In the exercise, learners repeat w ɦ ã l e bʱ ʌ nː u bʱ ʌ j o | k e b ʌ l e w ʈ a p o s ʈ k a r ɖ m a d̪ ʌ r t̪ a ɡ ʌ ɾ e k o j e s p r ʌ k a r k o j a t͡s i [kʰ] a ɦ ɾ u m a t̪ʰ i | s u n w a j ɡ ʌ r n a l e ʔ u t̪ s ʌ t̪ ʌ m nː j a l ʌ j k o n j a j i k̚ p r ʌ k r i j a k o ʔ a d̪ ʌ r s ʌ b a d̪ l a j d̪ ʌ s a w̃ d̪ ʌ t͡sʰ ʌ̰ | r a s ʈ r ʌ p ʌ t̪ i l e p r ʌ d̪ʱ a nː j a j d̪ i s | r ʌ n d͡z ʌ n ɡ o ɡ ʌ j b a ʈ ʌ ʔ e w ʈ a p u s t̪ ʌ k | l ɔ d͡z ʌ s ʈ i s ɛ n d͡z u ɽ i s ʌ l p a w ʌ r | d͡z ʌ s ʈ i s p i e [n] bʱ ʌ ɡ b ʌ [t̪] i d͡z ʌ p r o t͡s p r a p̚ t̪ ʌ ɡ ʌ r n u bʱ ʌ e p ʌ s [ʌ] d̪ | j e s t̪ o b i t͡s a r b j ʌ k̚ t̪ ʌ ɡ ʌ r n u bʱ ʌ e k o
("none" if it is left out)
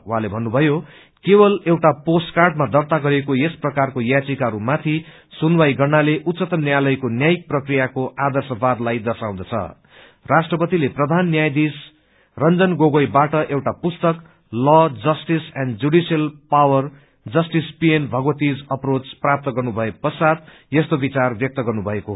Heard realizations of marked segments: k, n, t̪, a

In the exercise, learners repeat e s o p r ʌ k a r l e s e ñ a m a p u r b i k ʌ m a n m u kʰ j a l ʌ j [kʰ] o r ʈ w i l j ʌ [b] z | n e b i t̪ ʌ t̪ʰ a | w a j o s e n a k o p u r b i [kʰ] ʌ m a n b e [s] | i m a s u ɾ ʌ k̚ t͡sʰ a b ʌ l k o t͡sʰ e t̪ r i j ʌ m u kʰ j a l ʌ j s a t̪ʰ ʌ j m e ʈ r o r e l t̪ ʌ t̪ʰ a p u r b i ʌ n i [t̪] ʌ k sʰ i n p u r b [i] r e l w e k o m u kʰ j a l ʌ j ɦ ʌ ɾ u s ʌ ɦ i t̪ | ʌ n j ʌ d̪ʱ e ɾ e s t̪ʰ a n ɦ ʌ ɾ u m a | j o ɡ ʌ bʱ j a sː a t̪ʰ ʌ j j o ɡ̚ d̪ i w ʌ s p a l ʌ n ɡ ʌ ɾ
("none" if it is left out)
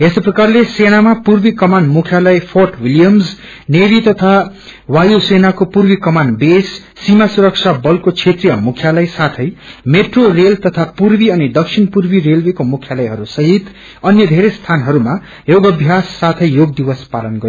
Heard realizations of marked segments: pʰ, m, k, sː, d̪, i

